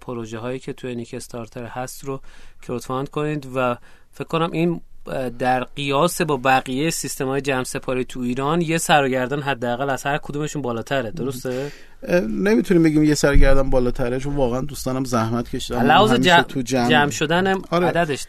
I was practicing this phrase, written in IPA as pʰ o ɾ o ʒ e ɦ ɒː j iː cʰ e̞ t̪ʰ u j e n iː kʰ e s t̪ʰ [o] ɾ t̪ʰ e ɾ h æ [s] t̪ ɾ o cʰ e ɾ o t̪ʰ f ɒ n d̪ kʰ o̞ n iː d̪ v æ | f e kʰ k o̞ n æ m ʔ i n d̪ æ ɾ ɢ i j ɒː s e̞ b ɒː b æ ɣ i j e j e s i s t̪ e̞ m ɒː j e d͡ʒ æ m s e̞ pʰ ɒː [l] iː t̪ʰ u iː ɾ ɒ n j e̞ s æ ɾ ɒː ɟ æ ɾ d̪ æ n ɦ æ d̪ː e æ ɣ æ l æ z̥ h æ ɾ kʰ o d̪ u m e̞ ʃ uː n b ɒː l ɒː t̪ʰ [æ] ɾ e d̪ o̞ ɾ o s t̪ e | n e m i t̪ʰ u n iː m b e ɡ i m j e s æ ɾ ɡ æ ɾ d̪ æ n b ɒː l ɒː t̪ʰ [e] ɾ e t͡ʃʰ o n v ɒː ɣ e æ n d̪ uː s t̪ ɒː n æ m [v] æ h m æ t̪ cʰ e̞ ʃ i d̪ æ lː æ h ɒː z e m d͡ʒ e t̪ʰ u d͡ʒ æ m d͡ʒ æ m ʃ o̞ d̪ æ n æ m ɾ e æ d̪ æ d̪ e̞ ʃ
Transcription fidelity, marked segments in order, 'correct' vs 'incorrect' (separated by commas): incorrect, correct, incorrect, correct, incorrect, incorrect